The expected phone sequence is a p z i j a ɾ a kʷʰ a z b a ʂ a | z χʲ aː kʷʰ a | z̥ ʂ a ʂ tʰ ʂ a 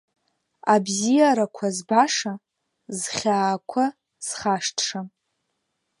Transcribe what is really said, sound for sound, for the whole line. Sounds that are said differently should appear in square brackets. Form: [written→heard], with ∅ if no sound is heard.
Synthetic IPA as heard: a [p→b] z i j a ɾ a kʷʰ a z b a ʂ a | z χʲ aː kʷʰ a | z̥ [ʂ→χ] a ʂ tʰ ʂ a